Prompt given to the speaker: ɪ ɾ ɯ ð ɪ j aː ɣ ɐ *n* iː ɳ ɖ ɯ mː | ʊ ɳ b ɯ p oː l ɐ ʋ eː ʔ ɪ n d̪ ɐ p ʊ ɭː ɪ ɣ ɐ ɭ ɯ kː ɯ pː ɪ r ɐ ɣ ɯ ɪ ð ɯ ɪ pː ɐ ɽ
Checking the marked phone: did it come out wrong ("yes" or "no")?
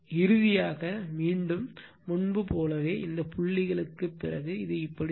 yes